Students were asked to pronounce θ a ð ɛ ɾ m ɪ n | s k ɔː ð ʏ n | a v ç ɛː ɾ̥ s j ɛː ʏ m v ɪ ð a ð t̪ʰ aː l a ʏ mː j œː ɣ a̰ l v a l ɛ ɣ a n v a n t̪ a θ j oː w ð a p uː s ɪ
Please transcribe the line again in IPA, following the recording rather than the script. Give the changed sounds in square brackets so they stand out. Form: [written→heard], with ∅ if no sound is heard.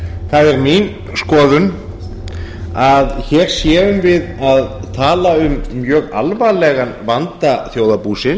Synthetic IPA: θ a ð ɛ ɾ m [ɪ→i] n | s k ɔː ð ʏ n | a [v→ð] ç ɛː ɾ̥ s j ɛː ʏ m v ɪ ð a ð t̪ʰ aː l a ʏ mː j œː ɣ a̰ l v a l ɛ ɣ a n v a n t̪ a θ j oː w ð a p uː s ɪ

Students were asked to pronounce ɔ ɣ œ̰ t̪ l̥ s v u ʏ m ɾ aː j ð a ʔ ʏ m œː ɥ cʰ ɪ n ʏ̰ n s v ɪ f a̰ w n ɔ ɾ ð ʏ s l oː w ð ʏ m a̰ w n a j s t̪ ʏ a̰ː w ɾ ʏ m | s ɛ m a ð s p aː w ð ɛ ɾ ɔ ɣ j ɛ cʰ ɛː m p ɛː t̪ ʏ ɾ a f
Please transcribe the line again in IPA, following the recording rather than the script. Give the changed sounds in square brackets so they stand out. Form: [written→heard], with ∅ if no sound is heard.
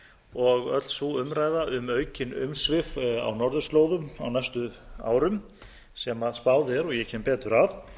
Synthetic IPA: ɔ ɣ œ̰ t̪ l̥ s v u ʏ m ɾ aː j ð a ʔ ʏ m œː ɥ [cʰ→c] ɪ n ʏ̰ [n→m] s v ɪ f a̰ w n ɔ ɾ ð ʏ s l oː w ð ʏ m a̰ w n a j s t̪ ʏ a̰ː w ɾ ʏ m | s ɛ m a ð s p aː w ð ɛ ɾ ɔ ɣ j ɛ cʰ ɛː m p ɛː t̪ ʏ ɾ a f

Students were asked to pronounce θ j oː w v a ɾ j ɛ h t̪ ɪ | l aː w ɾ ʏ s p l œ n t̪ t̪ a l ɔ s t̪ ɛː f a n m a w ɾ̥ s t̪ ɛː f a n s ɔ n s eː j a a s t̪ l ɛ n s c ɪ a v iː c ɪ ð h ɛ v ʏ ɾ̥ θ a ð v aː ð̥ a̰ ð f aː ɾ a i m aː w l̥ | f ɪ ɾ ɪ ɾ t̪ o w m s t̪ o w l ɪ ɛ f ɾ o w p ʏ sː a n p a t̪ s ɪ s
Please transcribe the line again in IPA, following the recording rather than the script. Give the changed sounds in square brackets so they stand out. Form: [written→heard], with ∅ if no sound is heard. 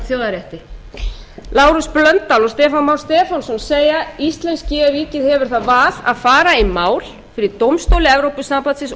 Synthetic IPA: θ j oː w [v→ð] a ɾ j ɛ h t̪ ɪ | l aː w ɾ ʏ s p l œ n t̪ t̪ a l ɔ s t̪ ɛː f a n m a w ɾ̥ s t̪ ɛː f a n s ɔ n s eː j a [a→i] s t̪ l ɛ n s c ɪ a v iː c ɪ ð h ɛ v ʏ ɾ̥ θ a ð v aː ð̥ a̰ ð f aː ɾ a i m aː w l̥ | f ɪ ɾ ɪ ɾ t̪ o w m s t̪ o w l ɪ ɛ [f→v] ɾ o w p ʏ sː a [n→m] p a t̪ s ɪ s

